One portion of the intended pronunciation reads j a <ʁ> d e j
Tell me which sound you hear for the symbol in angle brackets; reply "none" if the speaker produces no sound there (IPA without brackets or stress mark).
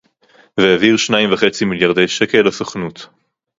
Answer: ʁ